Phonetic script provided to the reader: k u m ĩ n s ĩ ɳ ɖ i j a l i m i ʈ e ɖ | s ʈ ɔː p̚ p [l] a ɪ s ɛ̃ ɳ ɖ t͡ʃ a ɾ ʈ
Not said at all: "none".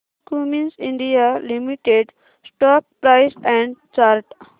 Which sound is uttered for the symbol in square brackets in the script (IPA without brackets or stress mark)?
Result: ɾ